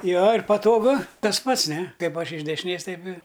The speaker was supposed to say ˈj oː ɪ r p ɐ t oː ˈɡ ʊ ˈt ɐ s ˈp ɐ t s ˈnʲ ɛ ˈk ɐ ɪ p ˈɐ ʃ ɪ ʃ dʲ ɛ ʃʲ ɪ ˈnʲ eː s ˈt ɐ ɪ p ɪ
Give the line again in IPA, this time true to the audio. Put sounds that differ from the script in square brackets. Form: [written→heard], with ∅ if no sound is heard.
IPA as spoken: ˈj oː ɪ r p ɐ t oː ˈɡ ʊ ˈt ɐ s ˈp ɐ t s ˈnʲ ɛ ˈk ɐ ɪ p ˈɐ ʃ ɪ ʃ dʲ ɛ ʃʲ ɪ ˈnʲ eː s ˈt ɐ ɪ p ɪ

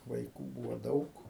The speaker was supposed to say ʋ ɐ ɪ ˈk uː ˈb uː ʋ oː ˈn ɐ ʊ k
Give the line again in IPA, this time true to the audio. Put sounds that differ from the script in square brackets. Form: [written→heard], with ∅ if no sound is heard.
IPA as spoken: ʋ ɐ ɪ ˈk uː ˈb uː ʋ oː [ˈn→ˈd] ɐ ʊ k

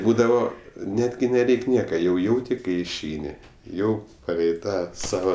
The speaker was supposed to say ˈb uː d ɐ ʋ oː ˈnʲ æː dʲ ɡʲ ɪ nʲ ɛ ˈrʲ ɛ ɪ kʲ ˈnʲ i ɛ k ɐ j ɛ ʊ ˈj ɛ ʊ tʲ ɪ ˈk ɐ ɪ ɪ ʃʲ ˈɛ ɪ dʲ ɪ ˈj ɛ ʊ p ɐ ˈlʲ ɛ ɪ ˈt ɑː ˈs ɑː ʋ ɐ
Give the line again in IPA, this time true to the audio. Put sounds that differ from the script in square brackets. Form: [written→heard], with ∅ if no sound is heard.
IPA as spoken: ˈb uː d ɐ ʋ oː ˈnʲ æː dʲ ɡʲ ɪ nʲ ɛ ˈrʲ ɛ ɪ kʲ ˈnʲ i ɛ k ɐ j ɛ ʊ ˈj ɛ ʊ tʲ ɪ ˈk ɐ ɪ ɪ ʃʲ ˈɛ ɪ [dʲ→nʲ] ɪ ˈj ɛ ʊ p ɐ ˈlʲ ɛ ɪ ˈt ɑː ˈs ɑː ʋ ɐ

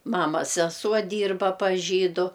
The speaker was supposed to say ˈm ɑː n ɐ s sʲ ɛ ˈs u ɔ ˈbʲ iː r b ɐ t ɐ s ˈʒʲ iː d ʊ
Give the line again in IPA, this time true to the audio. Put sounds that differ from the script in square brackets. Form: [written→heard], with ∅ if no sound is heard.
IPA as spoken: ˈm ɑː [n→m] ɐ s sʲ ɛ ˈs u ɔ [ˈbʲ→ˈdʲ] iː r b ɐ [t→p] ɐ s ˈʒʲ iː d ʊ

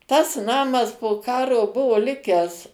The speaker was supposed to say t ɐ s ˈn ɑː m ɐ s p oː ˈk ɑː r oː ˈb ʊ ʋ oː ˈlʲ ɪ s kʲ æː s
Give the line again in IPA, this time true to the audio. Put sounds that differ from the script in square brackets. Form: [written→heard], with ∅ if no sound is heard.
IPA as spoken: t ɐ s ˈn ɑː m ɐ s p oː ˈk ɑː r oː ˈb ʊ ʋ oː ˈlʲ ɪ [s→∅] kʲ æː s

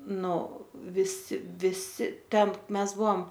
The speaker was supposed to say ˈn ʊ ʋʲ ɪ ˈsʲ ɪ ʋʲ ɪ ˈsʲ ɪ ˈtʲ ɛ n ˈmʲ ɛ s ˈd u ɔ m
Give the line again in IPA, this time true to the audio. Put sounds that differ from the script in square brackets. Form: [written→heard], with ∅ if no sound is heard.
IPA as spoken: ˈn ʊ ʋʲ ɪ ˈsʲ ɪ ʋʲ ɪ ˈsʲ ɪ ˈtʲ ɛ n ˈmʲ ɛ s [ˈd→ˈb] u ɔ m

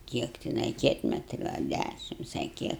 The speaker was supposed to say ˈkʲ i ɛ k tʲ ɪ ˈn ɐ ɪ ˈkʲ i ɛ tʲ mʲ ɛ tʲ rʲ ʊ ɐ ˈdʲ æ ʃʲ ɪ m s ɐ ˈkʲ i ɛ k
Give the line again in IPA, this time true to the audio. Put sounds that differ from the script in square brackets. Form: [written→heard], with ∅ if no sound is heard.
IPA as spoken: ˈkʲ i ɛ k tʲ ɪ ˈn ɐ ɪ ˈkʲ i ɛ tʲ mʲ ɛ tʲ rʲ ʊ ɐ ˈdʲ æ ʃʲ ɪ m s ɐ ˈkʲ i ɛ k

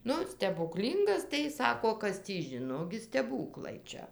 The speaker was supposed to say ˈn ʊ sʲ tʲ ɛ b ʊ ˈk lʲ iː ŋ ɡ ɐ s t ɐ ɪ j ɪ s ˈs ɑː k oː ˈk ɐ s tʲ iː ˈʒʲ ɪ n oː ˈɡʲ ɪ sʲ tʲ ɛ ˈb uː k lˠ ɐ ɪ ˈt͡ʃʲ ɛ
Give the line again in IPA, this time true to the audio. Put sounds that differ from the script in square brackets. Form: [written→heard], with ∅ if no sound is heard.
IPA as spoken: ˈn ʊ sʲ tʲ ɛ b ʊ ˈk lʲ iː ŋ ɡ ɐ s t ɐ ɪ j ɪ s ˈs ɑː k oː ˈk ɐ s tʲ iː ˈʒʲ ɪ n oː ˈɡʲ ɪ sʲ tʲ ɛ ˈb uː k lˠ ɐ ɪ ˈt͡ʃʲ ɛ

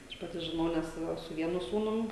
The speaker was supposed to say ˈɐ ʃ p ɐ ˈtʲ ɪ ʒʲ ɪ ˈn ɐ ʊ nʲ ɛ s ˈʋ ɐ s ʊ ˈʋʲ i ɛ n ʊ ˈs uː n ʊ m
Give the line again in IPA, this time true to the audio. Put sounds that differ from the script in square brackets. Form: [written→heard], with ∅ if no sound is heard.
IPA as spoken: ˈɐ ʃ p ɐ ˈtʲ ɪ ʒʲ ɪ ˈn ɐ ʊ nʲ ɛ s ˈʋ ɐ s ʊ ˈʋʲ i ɛ n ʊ ˈs uː n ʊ m

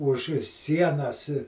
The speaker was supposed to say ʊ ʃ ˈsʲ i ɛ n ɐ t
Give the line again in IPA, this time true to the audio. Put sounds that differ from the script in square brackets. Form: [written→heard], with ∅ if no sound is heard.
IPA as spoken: ʊ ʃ ˈsʲ i ɛ n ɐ [t→s]

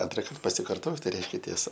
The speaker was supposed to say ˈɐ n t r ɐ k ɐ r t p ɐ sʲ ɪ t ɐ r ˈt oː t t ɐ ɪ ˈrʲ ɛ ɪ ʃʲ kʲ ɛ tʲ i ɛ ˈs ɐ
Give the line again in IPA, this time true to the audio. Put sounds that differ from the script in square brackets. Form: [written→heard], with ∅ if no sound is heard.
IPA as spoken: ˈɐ n t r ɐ k ɐ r t p ɐ sʲ ɪ [t→k] ɐ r ˈt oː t t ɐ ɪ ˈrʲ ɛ ɪ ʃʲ kʲ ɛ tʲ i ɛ ˈs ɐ

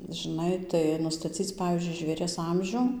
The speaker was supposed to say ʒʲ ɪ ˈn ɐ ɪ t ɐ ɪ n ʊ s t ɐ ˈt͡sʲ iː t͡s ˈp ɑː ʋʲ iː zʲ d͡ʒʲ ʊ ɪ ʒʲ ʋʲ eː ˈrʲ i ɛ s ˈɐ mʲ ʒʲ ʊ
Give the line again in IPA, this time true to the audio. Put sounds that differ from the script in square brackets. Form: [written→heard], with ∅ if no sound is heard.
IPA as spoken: ʒʲ ɪ ˈn ɐ ɪ t ɐ ɪ n ʊ s t ɐ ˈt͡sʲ iː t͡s ˈp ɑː ʋʲ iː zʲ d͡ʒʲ ʊ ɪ ʒʲ ʋʲ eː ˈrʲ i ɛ s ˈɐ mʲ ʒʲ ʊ

